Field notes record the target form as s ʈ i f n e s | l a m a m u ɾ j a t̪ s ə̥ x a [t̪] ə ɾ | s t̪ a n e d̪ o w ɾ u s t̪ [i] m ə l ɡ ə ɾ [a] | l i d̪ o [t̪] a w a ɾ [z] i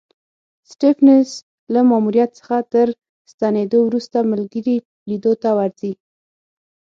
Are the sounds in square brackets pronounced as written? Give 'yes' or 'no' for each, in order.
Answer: yes, no, no, yes, yes

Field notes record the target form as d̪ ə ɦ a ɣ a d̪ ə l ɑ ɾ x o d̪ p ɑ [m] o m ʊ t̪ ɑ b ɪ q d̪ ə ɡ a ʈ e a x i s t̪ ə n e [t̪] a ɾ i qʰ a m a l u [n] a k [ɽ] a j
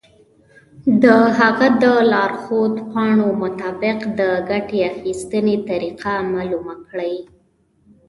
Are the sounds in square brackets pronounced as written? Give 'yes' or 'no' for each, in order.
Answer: no, yes, no, yes

